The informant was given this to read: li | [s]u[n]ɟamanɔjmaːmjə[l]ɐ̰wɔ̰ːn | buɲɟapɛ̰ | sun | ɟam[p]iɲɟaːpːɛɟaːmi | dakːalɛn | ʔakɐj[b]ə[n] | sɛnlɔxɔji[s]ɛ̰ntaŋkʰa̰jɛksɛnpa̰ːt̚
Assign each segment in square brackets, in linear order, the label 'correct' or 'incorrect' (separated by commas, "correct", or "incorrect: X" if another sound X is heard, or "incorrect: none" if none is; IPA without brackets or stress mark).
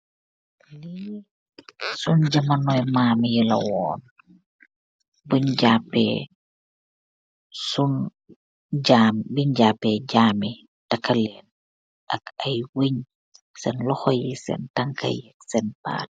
correct, correct, correct, incorrect: b, incorrect: w, incorrect: ɲ, correct